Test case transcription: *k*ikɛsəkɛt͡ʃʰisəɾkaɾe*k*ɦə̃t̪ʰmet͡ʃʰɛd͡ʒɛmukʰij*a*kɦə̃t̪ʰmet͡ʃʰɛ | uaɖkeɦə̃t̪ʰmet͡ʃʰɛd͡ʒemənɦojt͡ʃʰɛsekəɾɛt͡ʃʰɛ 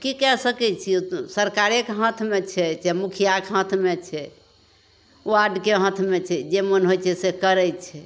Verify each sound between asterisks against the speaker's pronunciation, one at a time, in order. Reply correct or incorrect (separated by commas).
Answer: correct, correct, correct